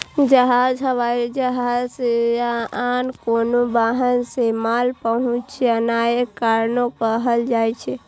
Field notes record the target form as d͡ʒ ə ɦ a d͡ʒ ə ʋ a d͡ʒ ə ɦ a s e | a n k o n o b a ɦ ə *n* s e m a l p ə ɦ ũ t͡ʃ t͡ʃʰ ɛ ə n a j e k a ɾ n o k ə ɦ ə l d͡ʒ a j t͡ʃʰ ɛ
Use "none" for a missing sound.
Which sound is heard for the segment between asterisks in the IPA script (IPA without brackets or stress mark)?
n